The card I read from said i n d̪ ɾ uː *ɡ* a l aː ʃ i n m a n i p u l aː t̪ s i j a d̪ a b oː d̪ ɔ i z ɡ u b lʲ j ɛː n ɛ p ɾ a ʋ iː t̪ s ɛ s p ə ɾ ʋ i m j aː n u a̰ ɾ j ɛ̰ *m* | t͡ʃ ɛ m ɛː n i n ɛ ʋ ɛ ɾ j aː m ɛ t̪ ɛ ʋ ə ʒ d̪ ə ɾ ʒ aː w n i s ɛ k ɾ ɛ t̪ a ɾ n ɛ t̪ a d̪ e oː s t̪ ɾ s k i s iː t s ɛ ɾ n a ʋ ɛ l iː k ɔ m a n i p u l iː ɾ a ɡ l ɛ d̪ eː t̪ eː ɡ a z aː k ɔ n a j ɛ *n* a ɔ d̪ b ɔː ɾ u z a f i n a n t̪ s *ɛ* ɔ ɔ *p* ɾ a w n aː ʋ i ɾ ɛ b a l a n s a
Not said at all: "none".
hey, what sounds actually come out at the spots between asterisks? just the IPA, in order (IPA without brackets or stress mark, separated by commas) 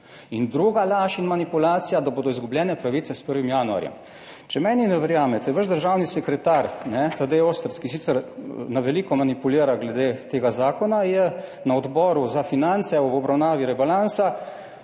ɡ, m, n, ɛ, b